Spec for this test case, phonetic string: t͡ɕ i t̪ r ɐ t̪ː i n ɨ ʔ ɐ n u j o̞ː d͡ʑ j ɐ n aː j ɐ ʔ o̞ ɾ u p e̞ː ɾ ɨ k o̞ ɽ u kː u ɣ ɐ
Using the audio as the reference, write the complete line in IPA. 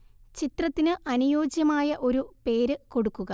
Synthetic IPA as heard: t͡ɕ i t̪ r ɐ t̪ː i n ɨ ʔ ɐ n u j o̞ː d͡ʑ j ɐ m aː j ɐ ʔ o̞ ɾ u p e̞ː ɾ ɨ k o̞ ɽ u kː u ɣ ɐ

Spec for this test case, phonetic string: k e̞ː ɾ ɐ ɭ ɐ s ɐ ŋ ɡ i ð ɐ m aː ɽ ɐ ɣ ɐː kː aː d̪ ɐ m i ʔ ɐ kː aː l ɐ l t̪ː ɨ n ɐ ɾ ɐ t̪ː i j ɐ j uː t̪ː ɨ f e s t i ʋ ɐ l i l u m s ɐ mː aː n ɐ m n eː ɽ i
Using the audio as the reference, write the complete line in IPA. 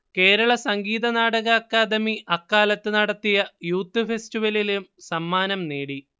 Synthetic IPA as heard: k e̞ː ɾ ɐ ɭ ɐ s ɐ ŋ ɡ iː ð ɐ n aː ɽ ɐ ɣ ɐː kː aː d̪ ɐ m i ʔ ɐ kː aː l ɐ t̪ː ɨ n ɐ ɽ ɐ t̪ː i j ɐ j uː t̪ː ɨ f e s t i ʋ ɐ l i l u m s ɐ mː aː n ɐ m n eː ɽ i

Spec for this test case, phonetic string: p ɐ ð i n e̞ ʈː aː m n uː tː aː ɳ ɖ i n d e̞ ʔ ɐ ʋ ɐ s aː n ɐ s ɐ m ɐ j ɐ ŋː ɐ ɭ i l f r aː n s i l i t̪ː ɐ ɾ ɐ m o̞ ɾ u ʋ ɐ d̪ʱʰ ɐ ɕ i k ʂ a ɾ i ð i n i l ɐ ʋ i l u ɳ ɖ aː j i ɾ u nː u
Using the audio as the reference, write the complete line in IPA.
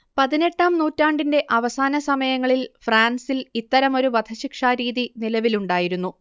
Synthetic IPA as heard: p ɐ ð i n e̞ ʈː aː m n uː tː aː ɳ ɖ i n d e̞ ʔ ɐ ʋ ɐ s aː n ɐ s ɐ m ɐ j ɐ ŋː ɐ ɭ i l f r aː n s i l i t̪ː ɐ ɾ ɐ m o̞ ɾ u ʋ ɐ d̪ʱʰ ɐ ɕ i k ʂ a ɾ iː ð i n i l ɐ ʋ i l u ɳ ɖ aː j i ɾ u nː u

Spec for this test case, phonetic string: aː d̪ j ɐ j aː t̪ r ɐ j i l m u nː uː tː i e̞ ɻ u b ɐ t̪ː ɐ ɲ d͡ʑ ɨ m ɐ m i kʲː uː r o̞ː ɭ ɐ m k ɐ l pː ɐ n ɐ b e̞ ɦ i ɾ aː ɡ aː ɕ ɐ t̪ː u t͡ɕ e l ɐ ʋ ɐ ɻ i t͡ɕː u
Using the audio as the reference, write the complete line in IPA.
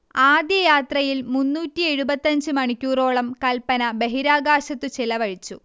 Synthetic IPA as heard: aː d̪ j ɐ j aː t̪ r ɐ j i l m u nː uː tː i e̞ ɻ u b ɐ t̪ː ɐ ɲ d͡ʑ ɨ m ɐ ɳ i kʲː uː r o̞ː ɭ ɐ m k ɐ l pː ɐ n ɐ b e̞ ɦ i ɾ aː ɡ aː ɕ ɐ t̪ː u t͡ɕ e l ɐ ʋ ɐ ɻ i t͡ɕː u

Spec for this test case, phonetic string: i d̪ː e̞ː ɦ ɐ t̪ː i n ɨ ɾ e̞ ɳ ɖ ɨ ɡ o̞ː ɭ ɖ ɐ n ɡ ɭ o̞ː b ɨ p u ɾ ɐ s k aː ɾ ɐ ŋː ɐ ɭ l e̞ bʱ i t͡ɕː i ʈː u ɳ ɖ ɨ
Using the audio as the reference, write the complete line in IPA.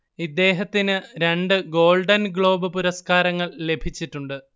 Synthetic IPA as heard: i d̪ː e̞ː ɦ ɐ t̪ː i n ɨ ɾ e̞ ɳ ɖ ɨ ɡ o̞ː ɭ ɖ ɐ n ɡ ɭ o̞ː b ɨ p u ɾ ɐ s k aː ɾ ɐ ŋː ɐ ɭ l e̞ bʱ i t͡ɕː i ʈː u ɳ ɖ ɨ

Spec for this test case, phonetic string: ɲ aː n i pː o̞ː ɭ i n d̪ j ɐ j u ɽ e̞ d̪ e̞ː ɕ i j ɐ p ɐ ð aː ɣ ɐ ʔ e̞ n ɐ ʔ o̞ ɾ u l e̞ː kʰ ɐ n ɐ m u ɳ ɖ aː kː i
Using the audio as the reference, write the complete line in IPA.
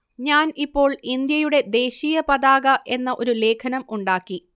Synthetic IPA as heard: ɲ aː n i pː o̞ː ɭ i n d̪ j ɐ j u ɽ e̞ d̪ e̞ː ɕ i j ɐ p ɐ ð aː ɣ ɐ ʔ e̞ nː ɐ ʔ o̞ ɾ u l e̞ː kʰ ɐ n ɐ m u ɳ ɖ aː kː i

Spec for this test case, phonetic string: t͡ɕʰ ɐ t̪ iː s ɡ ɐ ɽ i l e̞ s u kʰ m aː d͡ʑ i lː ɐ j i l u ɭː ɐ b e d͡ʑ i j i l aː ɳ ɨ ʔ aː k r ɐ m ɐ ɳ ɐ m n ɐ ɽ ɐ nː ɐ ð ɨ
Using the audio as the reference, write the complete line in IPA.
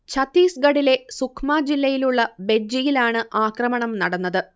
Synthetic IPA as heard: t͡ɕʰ ɐ t̪ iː s ɡ ɐ ɽ i l e̞ s u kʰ m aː d͡ʑ i lː ɐ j i l u ɭː ɐ b e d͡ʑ i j i l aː ɳ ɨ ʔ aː k r ɐ m ɐ ɳ ɐ m n ɐ ɽ ɐ nː ɐ ð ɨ

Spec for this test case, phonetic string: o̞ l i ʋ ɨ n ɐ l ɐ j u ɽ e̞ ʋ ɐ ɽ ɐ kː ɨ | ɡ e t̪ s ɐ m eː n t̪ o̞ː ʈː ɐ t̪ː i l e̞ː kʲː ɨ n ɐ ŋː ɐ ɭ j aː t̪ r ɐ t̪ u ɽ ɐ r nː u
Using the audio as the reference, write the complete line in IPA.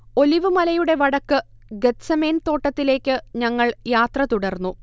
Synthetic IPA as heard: o̞ l i ʋ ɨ m ɐ l ɐ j u ɽ e̞ ʋ ɐ ɽ ɐ kː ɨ | ɡ e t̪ s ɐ m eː n t̪ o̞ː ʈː ɐ t̪ː i l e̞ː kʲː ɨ ɲ ɐ ŋː ɐ ɭ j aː t̪ r ɐ t̪ u ɽ ɐ r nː u

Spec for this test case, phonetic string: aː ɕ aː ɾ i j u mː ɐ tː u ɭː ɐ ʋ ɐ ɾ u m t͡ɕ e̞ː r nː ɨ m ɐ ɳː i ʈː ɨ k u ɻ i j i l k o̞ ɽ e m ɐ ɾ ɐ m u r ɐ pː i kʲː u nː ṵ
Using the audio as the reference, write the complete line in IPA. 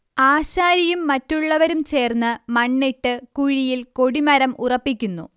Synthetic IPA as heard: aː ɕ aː ɾ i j u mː ɐ tː u ɭː ɐ ʋ ɐ ɾ u m t͡ɕ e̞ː r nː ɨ m ɐ ɳː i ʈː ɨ k u ɻ i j i l k o̞ ɽ i m ɐ ɾ ɐ m u r ɐ pː i kʲː u nː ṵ

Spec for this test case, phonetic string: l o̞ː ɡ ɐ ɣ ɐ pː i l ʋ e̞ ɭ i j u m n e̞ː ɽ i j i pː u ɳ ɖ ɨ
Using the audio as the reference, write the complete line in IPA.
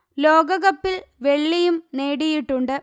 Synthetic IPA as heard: l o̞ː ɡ ɐ ɣ ɐ pː i l ʋ e̞ ɭː i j u m n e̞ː ɽ i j i ʈː u ɳ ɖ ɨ

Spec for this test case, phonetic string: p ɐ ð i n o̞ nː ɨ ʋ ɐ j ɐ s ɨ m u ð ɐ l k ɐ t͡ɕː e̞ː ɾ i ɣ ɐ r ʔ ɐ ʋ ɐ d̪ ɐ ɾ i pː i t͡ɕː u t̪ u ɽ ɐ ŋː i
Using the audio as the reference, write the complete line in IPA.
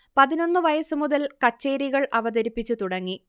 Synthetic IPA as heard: p ɐ ð i n o̞ nː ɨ ʋ ɐ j ɐ s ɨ m u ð ɐ l k ɐ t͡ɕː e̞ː ɾ i ɣ ɐ ɭ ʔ ɐ ʋ ɐ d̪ ɐ ɾ i pː i t͡ɕː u t̪ u ɽ ɐ ŋː i

